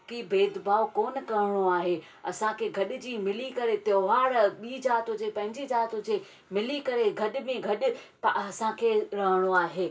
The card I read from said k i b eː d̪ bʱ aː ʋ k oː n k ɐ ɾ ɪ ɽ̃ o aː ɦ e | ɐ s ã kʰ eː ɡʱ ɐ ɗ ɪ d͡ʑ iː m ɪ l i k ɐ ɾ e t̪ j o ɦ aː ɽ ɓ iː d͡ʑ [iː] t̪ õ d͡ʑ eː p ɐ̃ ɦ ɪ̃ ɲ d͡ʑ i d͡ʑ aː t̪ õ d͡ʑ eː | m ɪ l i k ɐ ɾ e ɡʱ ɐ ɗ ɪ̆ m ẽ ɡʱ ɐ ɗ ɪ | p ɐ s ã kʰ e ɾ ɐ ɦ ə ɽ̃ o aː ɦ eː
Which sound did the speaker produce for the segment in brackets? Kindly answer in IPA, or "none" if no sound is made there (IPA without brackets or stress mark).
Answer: aː